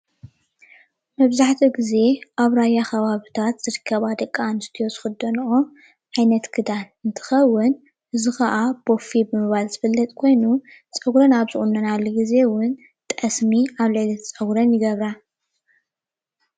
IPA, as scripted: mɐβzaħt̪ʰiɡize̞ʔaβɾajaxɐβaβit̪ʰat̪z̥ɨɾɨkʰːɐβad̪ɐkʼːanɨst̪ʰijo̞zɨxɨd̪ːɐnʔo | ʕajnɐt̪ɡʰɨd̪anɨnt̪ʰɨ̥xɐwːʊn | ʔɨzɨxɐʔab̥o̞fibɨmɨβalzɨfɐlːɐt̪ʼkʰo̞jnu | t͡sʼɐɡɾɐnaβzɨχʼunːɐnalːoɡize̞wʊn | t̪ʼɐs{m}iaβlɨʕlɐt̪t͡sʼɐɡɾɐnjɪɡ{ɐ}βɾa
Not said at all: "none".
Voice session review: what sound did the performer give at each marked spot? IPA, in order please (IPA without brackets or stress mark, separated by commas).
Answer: m, ɐ